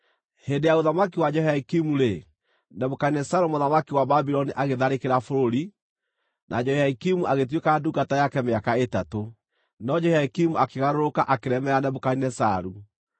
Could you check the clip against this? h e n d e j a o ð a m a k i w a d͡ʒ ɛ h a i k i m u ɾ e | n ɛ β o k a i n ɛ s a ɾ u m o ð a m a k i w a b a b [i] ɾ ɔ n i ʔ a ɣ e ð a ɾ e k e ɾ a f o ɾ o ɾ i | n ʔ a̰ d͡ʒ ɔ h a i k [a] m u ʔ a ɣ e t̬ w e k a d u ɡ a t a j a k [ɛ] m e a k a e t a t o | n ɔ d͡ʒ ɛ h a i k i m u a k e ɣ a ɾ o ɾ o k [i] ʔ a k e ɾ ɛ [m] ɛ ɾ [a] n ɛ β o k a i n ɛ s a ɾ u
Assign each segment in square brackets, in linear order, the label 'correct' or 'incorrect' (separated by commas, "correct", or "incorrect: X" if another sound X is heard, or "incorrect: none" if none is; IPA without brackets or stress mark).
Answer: correct, incorrect: i, correct, incorrect: a, correct, correct